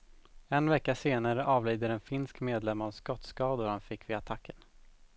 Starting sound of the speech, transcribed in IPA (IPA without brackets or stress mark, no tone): ɛ